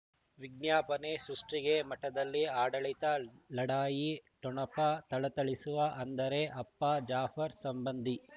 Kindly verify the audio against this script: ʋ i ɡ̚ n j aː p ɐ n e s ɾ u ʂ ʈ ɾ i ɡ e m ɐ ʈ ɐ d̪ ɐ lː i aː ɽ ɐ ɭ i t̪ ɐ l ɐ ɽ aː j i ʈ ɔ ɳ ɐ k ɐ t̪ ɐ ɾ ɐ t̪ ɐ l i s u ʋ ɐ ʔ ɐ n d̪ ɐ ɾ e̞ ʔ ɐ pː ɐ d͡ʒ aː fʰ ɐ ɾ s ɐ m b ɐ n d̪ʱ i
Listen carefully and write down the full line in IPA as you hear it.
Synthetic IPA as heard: ʋ i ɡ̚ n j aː p ɐ n e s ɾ u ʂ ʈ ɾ i ɡ e m ɐ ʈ ɐ d̪ ɐ lː i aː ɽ ɐ ɭ i t̪ ɐ l ɐ ɽ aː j i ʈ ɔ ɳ ɐ p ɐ t̪ ɐ ɭ ɐ t̪ ɐ ɭ i s u ʋ ɐ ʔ ɐ n d̪ ɐ ɾ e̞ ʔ ɐ pː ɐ d͡ʒ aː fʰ ɐ ɾ s ɐ m b ɐ n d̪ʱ i